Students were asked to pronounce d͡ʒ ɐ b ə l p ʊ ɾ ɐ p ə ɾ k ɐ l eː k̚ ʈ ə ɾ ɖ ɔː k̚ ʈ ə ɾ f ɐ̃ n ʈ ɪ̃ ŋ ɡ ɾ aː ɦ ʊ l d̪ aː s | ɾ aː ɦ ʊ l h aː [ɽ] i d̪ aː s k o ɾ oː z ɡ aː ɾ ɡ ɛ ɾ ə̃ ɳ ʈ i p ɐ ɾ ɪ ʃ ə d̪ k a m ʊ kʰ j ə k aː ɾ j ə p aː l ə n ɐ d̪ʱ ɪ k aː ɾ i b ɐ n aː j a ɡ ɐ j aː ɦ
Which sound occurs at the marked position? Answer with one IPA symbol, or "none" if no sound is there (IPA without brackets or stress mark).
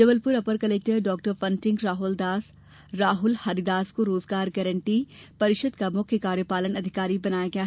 ɾ